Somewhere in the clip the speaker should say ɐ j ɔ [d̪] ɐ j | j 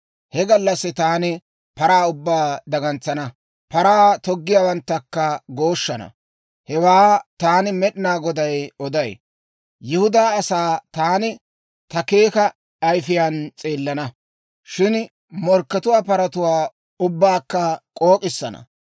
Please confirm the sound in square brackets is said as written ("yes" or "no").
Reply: yes